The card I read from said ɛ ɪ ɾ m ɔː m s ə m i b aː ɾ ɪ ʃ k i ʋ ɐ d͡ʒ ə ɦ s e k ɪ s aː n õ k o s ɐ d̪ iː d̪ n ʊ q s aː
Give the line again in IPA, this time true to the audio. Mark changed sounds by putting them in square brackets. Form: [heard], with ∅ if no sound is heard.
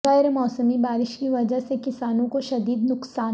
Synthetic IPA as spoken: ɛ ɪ ɾ m ɔː [∅] s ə m i b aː ɾ ɪ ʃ k i ʋ ɐ d͡ʒ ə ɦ s e k ɪ s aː n õ k o [ʃ] ɐ d̪ iː d̪ n ʊ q s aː